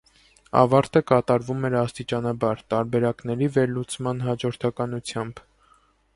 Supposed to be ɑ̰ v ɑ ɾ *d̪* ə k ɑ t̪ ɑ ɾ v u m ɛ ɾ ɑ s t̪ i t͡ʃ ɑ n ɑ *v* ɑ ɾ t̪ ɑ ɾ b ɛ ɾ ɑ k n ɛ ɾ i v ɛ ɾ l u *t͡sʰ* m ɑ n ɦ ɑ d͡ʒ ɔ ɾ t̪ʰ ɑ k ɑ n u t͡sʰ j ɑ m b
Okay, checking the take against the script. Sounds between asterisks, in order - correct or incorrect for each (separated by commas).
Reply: incorrect, incorrect, incorrect